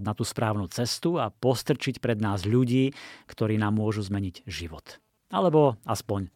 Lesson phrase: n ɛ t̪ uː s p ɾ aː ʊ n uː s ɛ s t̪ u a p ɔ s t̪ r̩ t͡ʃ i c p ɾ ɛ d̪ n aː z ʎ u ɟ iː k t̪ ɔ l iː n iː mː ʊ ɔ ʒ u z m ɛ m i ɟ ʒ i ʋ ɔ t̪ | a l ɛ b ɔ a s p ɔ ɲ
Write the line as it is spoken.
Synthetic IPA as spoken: n a t̪ uː s p ɾ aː ʊ n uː t͡s ɛ s t̪ u a p ɔ s t̪ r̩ t͡ʃ i c p ɾ ɛ d̪ n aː z ʎ u ɟ iː k t̪ ɔ ɾ iː n aː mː ʊ ɔ ʒ u z m ɛ ɲ i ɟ ʒ i ʋ ɔ t̪ | a l ɛ b ɔ a s p ɔ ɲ